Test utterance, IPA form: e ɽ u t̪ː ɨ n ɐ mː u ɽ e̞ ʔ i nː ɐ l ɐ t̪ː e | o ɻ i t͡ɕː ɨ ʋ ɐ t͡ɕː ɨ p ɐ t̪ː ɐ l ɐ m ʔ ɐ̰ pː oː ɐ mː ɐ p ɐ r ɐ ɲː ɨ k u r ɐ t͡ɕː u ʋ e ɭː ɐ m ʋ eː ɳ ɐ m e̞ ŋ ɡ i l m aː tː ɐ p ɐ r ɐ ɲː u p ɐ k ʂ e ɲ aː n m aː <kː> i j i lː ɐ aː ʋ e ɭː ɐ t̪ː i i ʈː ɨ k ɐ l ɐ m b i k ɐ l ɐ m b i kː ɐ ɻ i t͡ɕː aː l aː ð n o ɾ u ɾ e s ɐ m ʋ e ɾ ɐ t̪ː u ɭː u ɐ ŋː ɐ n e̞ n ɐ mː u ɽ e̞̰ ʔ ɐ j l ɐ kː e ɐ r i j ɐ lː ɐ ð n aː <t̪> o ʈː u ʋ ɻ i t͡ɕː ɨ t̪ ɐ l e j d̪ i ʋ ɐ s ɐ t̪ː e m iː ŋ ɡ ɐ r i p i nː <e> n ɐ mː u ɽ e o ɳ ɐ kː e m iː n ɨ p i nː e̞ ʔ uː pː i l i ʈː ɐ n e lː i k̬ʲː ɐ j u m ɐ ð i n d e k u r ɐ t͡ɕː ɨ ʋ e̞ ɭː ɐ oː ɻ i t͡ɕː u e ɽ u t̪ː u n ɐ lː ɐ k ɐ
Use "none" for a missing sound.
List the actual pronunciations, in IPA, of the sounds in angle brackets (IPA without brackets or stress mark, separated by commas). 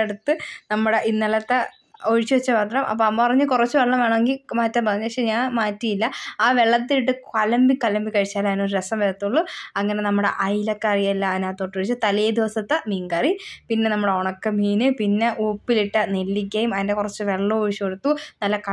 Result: tː, t̪, e